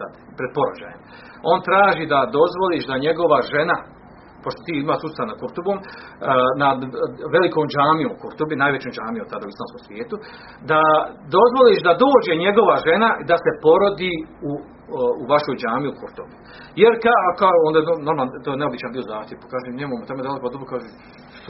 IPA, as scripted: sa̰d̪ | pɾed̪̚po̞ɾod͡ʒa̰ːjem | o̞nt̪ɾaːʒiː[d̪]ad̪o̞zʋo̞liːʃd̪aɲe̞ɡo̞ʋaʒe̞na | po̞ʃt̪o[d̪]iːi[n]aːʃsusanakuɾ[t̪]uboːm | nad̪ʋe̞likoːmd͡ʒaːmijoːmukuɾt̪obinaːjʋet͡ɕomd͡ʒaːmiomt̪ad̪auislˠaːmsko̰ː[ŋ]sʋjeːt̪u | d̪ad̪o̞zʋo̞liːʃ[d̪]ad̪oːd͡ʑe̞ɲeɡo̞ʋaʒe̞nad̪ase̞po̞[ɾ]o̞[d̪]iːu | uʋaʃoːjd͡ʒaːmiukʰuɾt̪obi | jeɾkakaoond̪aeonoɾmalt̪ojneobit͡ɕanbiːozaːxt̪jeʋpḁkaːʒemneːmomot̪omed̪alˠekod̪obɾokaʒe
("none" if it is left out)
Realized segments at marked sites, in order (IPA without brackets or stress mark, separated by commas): d̪, t̪, m, t̪, m, d̪, ɾ, d̪